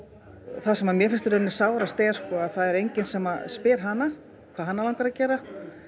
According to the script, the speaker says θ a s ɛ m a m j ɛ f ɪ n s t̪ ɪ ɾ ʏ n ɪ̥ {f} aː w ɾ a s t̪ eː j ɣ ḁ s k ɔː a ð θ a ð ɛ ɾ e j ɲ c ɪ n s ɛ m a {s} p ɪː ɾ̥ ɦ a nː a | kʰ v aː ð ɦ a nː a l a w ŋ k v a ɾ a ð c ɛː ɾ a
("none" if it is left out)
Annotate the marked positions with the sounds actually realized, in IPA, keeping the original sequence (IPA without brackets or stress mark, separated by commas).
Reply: s, s